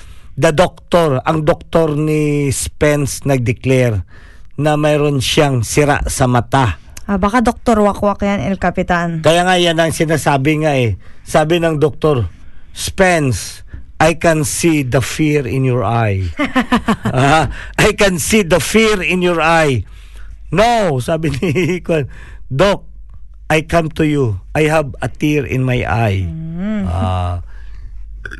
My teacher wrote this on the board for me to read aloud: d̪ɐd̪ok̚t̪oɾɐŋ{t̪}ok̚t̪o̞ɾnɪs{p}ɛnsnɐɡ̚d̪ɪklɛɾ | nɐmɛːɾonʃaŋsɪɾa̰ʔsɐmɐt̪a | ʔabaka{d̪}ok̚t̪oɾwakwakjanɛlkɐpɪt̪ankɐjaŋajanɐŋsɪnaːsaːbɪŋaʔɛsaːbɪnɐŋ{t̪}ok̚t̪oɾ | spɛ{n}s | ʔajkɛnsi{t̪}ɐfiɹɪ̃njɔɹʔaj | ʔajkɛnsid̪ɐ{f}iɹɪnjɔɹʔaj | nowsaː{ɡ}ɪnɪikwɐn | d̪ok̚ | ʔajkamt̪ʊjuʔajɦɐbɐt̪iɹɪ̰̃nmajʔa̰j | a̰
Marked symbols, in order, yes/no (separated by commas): no, yes, yes, no, yes, no, yes, no